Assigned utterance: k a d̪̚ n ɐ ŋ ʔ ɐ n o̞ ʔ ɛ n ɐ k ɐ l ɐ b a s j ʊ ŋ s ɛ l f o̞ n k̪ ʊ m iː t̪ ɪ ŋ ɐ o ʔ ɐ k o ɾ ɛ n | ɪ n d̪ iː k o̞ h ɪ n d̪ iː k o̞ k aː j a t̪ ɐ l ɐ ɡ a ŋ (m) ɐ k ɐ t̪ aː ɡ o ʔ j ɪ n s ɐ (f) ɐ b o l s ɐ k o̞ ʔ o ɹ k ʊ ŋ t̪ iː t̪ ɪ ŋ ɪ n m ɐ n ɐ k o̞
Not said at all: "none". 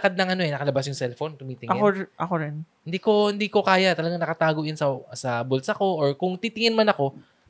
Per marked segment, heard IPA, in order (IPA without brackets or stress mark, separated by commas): n, s